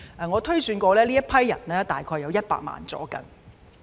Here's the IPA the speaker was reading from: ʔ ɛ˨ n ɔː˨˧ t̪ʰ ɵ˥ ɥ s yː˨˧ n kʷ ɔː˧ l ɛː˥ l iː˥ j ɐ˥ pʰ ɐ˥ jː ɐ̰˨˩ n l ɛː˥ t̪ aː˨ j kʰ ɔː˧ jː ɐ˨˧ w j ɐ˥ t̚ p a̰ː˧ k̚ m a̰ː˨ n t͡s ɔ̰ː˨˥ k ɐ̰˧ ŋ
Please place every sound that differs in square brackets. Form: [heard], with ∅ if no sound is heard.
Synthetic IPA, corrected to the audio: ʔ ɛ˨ [ŋ] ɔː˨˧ t̪ʰ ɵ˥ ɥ s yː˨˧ n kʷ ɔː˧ l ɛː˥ l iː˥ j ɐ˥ pʰ ɐ˥ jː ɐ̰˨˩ n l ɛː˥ t̪ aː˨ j kʰ ɔː˧ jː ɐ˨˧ w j ɐ˥ t̚ p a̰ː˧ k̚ m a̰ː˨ n t͡s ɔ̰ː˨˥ k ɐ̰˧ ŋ

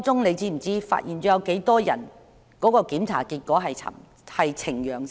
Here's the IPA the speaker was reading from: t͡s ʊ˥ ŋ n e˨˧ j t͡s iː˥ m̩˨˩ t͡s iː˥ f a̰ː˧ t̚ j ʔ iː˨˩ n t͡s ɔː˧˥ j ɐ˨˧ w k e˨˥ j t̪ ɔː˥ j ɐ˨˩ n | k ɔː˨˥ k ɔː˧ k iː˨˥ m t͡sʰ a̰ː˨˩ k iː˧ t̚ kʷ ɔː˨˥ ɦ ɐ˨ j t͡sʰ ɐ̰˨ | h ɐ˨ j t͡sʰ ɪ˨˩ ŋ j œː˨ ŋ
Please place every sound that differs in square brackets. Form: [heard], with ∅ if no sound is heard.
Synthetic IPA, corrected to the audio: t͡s ʊ˥ ŋ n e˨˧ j t͡s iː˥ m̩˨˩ t͡s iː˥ f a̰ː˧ t̚ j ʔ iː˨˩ n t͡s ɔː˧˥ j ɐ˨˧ w k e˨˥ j t̪ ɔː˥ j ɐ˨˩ n | k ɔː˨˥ k ɔː˧ k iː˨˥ m t͡sʰ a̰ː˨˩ k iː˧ t̚ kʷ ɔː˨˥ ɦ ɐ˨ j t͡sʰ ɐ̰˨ | h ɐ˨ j t͡sʰ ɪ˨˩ ŋ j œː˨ ŋ

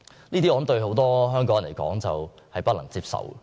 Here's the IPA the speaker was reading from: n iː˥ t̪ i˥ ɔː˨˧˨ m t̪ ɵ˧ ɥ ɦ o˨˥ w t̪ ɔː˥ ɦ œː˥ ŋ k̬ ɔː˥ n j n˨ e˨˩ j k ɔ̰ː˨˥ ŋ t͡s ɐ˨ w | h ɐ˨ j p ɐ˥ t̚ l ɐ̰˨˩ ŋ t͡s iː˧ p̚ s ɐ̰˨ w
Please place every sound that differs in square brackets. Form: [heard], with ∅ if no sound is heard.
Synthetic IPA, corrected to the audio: n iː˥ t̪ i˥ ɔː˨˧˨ m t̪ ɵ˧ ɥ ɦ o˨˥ w t̪ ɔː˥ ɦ œː˥ ŋ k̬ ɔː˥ [ŋ] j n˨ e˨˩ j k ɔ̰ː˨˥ ŋ t͡s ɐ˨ w | h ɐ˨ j p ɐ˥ t̚ l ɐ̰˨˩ ŋ t͡s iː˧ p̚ s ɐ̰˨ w

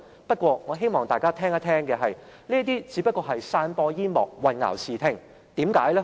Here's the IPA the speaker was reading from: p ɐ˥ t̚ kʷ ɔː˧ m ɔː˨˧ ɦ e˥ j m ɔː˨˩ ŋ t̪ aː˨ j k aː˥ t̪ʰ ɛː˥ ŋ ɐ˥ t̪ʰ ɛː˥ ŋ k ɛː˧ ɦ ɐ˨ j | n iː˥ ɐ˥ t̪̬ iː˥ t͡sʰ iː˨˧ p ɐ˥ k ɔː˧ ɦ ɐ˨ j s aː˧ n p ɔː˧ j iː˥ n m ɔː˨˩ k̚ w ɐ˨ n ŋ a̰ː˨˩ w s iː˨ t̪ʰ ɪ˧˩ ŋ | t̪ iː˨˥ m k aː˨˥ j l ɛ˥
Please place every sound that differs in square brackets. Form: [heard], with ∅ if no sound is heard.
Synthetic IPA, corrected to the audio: p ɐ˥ t̚ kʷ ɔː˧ [ŋ] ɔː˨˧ ɦ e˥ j m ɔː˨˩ ŋ t̪ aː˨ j k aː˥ t̪ʰ ɛː˥ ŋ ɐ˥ t̪ʰ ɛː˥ ŋ k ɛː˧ ɦ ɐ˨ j | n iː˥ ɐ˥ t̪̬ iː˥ [t͡s] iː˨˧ p ɐ˥ k ɔː˧ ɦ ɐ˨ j s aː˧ n p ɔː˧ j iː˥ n m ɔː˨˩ k̚ w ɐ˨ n ŋ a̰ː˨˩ w s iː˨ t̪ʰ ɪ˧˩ ŋ | t̪ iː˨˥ m k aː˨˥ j l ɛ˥

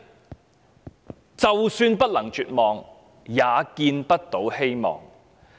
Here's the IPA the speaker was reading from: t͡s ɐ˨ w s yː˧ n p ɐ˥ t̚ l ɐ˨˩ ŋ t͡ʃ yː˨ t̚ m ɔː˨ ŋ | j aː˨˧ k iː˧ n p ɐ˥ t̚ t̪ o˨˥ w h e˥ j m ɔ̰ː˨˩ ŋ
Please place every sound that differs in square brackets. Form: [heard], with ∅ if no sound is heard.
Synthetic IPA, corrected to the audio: t͡s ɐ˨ w s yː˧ n p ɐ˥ t̚ l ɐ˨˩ ŋ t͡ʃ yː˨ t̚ m ɔː˨ ŋ | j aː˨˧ k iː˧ n p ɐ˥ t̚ t̪ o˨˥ w h e˥ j m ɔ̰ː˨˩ ŋ

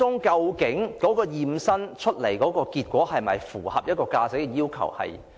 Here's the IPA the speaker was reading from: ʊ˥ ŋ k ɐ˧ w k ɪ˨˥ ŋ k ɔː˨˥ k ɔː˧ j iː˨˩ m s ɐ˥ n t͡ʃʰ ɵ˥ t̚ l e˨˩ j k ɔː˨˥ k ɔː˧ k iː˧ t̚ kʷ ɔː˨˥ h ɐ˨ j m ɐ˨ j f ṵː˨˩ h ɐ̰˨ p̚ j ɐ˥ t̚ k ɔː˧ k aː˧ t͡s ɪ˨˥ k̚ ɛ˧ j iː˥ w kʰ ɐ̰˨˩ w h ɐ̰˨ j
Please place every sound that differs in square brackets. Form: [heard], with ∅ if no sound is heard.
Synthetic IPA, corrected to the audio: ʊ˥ ŋ k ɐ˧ w k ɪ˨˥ ŋ k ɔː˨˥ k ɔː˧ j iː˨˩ m s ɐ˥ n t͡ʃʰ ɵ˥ t̚ l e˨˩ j k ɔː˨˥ k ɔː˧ k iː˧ t̚ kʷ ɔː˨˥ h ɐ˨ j m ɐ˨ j f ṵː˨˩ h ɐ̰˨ p̚ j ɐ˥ t̚ k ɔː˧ k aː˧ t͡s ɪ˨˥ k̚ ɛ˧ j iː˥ w kʰ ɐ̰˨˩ w h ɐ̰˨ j

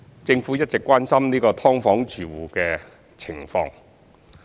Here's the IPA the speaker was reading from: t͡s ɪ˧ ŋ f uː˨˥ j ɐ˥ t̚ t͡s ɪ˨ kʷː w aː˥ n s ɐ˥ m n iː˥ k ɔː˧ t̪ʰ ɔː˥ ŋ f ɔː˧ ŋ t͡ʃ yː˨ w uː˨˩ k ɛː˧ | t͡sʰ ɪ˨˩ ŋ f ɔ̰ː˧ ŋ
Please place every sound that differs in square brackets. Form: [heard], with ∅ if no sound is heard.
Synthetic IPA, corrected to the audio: t͡s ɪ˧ ŋ f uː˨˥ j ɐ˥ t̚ t͡s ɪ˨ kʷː w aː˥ n s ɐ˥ m n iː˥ k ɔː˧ t̪ʰ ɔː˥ ŋ f [ɔː˨˥] ŋ t͡ʃ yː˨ w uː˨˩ k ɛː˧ | t͡sʰ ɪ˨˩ ŋ f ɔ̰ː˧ ŋ

